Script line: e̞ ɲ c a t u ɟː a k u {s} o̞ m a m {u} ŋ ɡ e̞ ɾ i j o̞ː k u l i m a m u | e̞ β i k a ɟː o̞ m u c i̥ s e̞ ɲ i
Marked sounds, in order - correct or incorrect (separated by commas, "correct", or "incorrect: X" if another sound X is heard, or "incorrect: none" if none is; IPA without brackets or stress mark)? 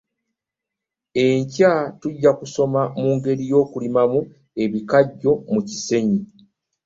correct, incorrect: uː